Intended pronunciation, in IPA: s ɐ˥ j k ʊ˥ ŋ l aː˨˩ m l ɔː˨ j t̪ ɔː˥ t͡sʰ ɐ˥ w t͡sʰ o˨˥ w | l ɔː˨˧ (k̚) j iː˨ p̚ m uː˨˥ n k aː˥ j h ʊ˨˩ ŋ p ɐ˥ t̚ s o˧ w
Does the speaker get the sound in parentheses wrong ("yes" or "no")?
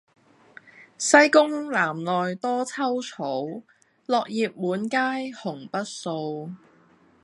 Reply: no